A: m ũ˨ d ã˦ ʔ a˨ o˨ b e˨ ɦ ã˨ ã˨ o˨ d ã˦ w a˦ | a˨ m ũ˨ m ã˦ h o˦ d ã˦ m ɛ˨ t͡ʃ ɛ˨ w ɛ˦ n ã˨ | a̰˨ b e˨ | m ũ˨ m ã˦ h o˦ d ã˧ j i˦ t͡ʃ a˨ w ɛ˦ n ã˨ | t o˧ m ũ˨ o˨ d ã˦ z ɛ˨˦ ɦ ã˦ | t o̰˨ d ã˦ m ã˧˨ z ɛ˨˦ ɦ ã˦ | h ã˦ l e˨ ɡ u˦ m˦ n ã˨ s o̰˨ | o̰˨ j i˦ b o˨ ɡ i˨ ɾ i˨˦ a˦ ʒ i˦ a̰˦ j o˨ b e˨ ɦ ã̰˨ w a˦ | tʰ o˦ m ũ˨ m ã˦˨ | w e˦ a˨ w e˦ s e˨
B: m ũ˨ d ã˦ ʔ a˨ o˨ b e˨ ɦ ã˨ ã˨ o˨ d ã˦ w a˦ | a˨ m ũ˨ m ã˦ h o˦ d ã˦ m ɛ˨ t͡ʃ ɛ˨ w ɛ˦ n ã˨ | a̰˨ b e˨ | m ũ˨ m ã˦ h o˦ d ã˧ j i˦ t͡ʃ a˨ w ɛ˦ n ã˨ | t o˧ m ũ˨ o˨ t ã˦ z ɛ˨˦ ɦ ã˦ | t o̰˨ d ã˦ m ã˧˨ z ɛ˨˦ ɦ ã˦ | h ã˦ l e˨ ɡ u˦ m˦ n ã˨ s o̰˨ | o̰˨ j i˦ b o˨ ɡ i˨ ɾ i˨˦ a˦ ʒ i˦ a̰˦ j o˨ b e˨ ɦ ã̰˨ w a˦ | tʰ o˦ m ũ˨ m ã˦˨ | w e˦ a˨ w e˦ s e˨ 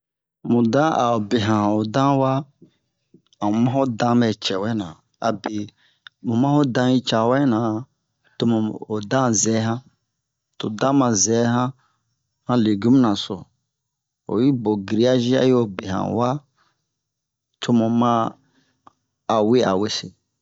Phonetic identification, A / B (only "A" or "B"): A